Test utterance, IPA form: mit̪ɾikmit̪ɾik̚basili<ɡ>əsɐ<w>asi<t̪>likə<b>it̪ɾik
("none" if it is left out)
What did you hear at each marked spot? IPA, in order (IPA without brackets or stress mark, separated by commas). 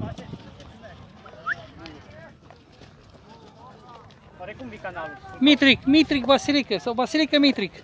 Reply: k, b, none, m